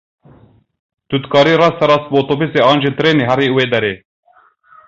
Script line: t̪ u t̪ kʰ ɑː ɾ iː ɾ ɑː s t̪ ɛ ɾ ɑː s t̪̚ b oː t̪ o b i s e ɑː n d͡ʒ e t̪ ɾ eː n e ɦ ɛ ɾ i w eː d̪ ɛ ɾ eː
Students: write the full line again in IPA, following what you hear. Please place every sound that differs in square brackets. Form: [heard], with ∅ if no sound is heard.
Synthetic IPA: t̪ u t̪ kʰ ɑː ɾ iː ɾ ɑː s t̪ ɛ ɾ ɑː s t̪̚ b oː t̪ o b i s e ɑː n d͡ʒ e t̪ ɾ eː n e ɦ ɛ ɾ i w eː d̪ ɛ ɾ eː